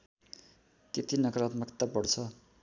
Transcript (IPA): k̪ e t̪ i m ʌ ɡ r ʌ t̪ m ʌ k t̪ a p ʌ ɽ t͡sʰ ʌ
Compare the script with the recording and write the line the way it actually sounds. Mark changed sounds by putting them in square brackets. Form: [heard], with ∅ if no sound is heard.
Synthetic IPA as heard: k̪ e t̪ i [n] ʌ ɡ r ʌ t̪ m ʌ k t̪ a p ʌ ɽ t͡sʰ ʌ